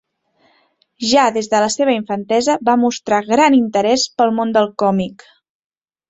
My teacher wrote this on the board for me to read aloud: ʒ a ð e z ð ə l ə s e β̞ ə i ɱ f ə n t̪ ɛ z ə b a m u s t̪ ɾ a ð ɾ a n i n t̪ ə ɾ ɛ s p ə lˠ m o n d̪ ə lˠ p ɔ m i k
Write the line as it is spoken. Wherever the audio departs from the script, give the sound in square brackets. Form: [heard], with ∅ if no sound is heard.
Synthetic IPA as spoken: ʒ a ð e z ð ə l ə s e β̞ ə i ɱ f ə n t̪ ɛ z ə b a m u s t̪ ɾ a [ɣ] ɾ a n i n t̪ ə ɾ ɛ s p ə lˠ m o n d̪ ə lˠ [k] ɔ m i k